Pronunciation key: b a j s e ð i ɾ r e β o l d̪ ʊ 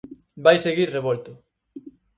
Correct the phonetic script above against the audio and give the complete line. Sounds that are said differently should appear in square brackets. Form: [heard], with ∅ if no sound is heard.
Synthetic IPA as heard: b a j s e [ɣ] i ɾ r e β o l [t̪] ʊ